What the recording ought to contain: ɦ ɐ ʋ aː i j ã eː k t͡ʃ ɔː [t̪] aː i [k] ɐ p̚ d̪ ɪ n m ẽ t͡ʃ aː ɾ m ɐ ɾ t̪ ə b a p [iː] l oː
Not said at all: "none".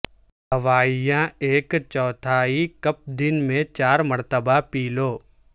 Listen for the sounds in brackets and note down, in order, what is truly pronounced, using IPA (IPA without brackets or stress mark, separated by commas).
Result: t̪ʰ, k, iː